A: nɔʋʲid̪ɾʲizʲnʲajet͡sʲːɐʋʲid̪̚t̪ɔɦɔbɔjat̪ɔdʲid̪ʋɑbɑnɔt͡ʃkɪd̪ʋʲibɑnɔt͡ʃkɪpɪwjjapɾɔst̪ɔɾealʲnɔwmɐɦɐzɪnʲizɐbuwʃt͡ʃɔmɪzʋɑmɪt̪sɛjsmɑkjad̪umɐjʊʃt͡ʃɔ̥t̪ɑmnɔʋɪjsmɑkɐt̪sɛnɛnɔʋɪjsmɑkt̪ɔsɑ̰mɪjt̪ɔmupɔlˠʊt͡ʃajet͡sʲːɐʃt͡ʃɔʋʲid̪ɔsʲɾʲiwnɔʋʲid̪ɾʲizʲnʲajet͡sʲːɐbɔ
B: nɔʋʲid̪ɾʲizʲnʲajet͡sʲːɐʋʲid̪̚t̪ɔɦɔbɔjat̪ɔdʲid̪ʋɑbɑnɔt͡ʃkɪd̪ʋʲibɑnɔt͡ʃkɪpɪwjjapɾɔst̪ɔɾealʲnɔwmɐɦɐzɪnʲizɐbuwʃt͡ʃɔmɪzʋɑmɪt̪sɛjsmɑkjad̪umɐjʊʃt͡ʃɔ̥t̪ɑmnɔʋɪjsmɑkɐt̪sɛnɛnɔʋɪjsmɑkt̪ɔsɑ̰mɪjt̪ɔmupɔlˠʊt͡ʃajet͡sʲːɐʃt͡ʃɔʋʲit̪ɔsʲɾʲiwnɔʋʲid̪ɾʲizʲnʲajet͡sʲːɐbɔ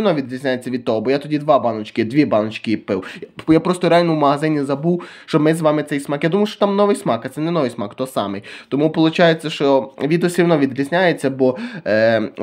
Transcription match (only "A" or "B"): A